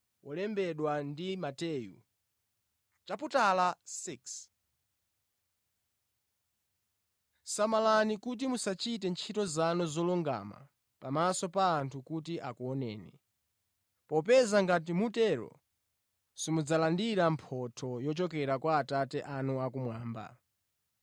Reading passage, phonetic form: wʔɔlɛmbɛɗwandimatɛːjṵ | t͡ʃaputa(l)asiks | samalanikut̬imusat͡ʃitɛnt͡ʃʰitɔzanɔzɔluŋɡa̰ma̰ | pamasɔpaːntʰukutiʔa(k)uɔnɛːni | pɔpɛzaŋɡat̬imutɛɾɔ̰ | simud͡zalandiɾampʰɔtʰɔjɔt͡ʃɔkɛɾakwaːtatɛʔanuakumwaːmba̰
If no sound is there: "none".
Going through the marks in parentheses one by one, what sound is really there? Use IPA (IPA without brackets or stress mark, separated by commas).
l, k